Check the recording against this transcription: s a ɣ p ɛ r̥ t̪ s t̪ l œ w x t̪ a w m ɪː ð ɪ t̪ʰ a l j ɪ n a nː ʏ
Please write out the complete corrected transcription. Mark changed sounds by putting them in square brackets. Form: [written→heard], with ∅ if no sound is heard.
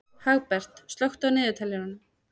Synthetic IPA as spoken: [s→h] a ɣ p ɛ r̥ t̪ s t̪ l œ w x t̪ a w [m→n] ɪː ð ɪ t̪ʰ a l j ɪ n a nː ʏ